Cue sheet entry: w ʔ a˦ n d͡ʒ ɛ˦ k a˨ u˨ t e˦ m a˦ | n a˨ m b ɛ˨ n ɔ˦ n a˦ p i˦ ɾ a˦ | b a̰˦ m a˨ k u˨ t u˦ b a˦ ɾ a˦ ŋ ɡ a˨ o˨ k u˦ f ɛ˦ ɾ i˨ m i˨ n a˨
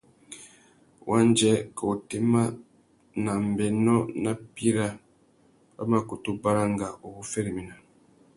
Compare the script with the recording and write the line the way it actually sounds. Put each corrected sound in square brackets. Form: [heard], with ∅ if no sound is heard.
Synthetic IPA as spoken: w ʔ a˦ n d͡ʒ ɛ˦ k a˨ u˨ t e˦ m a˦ | n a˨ m b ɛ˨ n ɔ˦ n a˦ p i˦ ɾ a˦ | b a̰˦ m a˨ k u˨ t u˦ b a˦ ɾ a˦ ŋ ɡ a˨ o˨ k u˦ f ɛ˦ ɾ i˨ m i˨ n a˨